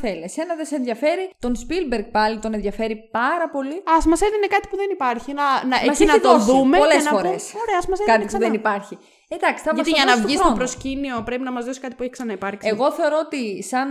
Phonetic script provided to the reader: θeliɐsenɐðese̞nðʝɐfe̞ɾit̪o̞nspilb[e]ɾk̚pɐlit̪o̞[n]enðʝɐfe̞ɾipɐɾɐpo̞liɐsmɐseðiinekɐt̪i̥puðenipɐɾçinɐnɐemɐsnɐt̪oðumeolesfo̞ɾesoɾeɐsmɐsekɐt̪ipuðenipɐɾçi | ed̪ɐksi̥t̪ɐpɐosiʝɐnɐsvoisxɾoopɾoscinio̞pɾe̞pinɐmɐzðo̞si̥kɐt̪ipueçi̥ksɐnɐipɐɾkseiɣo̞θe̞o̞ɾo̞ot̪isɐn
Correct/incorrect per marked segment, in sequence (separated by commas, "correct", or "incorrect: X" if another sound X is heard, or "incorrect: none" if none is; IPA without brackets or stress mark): correct, correct